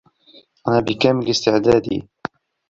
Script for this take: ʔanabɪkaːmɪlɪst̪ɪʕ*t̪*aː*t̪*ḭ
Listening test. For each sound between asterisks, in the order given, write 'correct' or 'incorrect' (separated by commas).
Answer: incorrect, incorrect